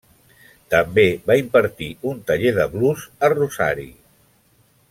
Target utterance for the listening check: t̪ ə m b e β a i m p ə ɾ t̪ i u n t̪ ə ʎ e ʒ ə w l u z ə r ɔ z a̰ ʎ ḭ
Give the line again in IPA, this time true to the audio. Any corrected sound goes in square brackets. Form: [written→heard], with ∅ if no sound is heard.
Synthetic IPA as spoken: t̪ ə m b e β a i m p ə ɾ t̪ i u n t̪ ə ʎ e [ʒ→ð] ə [w→β] l u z ə r [ɔ→u] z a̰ [ʎ→ɾ] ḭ